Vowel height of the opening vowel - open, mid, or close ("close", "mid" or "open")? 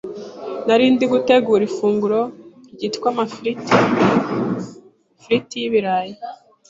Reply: open